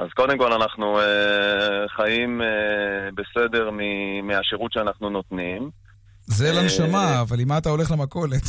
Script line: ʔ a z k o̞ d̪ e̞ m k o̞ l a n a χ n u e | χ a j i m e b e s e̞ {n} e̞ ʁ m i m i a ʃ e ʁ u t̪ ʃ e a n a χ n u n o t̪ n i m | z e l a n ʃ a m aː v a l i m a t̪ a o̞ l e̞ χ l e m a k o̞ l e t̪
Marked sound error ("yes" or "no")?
yes